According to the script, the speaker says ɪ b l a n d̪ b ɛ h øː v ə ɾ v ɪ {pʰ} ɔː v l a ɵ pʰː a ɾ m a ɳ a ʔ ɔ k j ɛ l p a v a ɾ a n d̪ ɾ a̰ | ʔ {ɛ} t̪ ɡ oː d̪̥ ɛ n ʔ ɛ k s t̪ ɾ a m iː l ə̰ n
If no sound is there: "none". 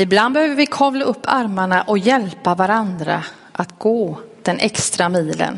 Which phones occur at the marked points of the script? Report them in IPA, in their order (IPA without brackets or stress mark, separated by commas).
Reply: kʰ, a